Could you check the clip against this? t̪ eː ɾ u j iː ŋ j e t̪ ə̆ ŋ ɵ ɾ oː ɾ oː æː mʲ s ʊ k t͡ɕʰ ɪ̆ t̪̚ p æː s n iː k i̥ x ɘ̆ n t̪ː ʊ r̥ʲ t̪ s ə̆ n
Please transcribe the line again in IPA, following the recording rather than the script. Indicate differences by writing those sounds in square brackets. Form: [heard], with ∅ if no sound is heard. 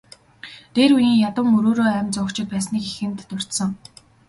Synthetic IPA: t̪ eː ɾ u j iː ŋ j [a] t̪ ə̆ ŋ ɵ ɾ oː ɾ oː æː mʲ [t͡s] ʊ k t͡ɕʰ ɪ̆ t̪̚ p æː s n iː k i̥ x ɘ̆ n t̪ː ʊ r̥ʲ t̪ s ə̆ [ŋ]